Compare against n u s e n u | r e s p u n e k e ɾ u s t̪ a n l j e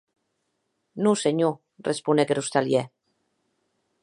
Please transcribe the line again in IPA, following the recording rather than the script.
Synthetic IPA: n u s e ɲ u | r e s p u n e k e ɾ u s t̪ a l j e

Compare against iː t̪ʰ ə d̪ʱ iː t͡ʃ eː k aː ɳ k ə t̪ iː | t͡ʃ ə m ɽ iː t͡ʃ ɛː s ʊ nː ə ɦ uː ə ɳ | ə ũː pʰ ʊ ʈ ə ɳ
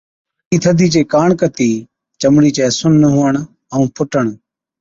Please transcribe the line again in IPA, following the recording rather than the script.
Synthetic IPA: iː t̪ʰ ə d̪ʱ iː t͡ʃ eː k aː ɳ k ə t̪ iː | t͡ʃ ə m ɽ iː t͡ʃ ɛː s ʊ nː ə ɦ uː ə ɳ | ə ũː pʰ ʊ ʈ ə ɳ

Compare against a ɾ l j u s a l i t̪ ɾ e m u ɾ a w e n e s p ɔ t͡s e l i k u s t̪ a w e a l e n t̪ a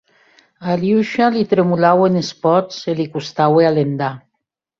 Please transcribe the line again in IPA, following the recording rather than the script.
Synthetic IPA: a l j u ʃ a l i t̪ ɾ e m u l a w e n e s p ɔ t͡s e l i k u s t̪ a w e a l e n d̪ a

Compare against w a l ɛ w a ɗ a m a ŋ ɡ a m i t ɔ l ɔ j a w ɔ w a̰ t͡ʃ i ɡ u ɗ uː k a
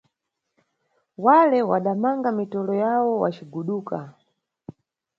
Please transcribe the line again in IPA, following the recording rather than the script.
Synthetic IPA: w a l ɛ w a ɗ a m a ŋ ɡ a m i t ɔ l ɔ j a w ɔ w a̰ t͡ʃ i ɡ u ɗ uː k a

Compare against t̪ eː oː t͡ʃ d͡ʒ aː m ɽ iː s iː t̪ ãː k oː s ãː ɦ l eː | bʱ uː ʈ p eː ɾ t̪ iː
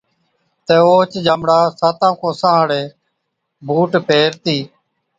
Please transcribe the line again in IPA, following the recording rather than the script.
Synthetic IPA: t̪ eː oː t͡ʃ d͡ʒ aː m ɽ aː s aː t̪ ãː k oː s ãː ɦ ɽ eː | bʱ uː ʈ p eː ɾ t̪ iː

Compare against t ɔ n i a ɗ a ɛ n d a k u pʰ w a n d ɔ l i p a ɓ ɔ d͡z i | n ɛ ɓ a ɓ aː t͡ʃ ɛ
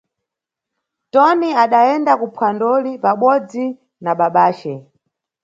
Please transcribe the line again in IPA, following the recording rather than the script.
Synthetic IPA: t ɔ n i a ɗ a ɛ n d a k u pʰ w a n d ɔ l i p a ɓ ɔ d͡z i | n a ɓ a ɓ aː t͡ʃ ɛ

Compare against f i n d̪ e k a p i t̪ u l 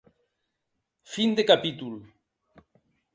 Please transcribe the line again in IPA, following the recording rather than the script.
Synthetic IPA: f i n d̪ e k a p i t̪ u l

